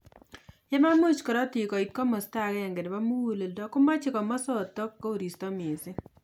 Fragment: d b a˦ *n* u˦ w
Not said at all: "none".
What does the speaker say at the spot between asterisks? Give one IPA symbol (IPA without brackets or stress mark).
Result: m